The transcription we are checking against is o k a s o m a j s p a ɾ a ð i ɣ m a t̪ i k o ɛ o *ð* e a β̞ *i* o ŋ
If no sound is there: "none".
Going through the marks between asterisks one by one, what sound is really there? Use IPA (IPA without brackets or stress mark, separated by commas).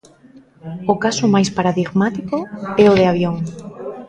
ð, j